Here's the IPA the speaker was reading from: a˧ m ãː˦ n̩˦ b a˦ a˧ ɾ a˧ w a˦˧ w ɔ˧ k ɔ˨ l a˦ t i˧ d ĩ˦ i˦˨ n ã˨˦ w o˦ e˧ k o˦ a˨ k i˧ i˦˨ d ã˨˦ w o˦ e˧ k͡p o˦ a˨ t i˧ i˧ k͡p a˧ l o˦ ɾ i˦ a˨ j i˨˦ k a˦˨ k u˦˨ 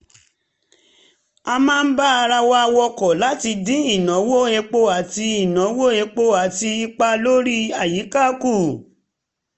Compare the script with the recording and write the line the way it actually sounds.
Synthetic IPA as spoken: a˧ m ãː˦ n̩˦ b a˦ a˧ ɾ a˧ w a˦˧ w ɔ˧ k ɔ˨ l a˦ t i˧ d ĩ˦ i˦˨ n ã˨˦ w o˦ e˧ k͡p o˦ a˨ t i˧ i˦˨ n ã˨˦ w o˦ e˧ k͡p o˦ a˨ t i˧ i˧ k͡p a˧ l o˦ ɾ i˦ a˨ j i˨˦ k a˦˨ k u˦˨

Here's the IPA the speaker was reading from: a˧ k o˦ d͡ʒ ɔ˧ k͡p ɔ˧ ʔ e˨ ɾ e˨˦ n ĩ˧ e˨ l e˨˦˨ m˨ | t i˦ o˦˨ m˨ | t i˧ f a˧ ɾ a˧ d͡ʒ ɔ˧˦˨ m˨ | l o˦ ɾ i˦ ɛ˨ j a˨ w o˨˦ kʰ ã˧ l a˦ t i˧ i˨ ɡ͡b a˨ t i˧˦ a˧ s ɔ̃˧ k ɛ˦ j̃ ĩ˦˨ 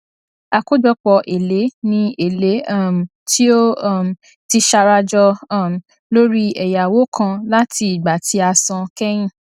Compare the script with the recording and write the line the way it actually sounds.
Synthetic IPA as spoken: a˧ k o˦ d͡ʒ ɔ˧ k͡p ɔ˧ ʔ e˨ l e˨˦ n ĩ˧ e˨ l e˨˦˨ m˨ | t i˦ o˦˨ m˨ | t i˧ ʃ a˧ ɾ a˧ d͡ʒ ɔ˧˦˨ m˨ | l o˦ ɾ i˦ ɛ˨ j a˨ w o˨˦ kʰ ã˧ l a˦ t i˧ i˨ ɡ͡b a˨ t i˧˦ a˧ s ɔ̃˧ k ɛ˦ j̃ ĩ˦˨

